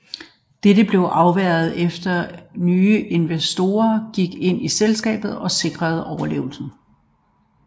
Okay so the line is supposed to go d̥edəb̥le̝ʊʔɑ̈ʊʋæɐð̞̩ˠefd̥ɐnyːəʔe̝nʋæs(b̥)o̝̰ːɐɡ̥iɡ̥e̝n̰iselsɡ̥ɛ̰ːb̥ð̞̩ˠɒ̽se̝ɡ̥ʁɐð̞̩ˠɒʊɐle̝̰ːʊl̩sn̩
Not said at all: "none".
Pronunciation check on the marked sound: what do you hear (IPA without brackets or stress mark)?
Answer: d̥